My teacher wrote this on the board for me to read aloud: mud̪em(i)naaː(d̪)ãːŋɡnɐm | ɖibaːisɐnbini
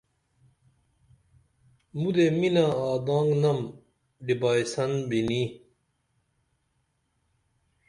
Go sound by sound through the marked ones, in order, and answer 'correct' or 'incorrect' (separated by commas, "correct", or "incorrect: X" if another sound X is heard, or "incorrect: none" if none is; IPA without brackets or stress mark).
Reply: correct, correct